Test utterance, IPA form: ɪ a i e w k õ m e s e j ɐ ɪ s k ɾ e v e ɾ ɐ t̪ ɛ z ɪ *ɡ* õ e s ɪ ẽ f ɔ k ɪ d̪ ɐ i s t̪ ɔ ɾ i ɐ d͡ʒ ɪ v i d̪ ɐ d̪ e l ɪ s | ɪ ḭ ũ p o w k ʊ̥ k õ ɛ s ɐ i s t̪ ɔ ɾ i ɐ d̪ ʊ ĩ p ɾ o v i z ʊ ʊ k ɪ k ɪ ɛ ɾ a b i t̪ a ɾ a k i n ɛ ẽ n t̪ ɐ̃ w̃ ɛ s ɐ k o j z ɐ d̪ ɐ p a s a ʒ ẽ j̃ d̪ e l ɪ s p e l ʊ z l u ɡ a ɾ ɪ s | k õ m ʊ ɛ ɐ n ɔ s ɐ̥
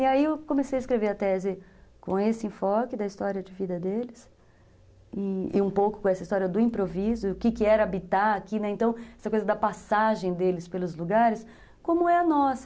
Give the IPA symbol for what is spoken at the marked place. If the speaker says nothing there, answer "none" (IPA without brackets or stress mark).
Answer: k